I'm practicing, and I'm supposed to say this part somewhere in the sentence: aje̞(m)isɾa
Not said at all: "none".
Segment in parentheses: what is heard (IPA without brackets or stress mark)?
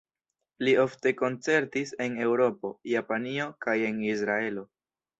n